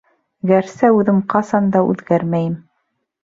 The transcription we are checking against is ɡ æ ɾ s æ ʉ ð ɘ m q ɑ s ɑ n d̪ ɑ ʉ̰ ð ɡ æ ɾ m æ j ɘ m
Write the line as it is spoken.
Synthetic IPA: ɡ æ ɾ s æ ʉ ð ɘ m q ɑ s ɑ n d̪ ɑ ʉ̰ ð ɡ æ ɾ m æ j ɘ m